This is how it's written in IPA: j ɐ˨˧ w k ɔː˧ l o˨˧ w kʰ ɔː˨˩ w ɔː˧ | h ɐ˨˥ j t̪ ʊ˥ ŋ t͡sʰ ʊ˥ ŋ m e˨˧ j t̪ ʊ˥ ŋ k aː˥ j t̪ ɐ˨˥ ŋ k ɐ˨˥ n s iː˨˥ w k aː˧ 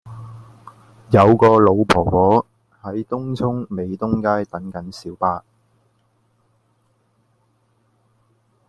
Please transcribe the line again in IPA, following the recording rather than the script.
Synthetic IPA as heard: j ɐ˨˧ w k ɔː˧ l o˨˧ w pʰ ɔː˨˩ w ɔː˨˥ | h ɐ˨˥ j t̪ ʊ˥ ŋ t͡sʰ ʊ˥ ŋ m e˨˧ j t̪ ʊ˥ ŋ k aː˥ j t̪ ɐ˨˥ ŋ k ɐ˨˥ n s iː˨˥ w p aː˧